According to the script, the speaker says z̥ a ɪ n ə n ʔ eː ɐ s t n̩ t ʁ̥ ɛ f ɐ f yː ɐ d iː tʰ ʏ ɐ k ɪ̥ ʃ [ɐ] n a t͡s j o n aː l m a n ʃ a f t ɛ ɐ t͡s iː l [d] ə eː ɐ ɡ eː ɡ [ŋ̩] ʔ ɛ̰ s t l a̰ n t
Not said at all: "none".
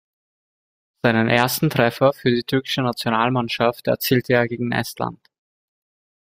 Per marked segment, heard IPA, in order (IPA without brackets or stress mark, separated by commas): ə, t, ŋ̩